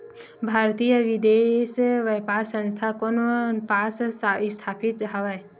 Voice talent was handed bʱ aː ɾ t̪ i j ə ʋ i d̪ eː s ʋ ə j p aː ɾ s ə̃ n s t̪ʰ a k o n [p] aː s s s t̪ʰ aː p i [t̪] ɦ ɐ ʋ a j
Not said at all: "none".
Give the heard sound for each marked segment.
p, t̪

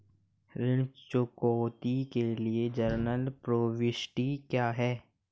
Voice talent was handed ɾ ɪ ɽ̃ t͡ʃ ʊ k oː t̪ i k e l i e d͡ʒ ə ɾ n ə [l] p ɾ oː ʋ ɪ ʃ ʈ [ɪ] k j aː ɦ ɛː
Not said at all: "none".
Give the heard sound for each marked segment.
l, i

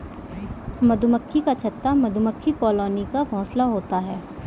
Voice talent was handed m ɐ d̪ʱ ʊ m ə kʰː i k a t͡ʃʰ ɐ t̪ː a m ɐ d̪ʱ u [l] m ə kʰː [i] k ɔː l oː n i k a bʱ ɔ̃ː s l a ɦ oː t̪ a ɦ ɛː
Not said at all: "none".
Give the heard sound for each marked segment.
none, i

